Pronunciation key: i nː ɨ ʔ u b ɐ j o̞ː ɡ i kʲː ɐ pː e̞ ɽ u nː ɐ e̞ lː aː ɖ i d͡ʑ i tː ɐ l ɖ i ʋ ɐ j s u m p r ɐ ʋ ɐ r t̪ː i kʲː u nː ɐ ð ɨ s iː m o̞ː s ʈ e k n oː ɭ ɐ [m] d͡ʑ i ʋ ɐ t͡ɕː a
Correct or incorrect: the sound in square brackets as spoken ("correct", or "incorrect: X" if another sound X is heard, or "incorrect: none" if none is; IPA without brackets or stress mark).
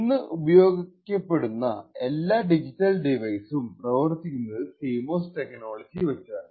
incorrect: none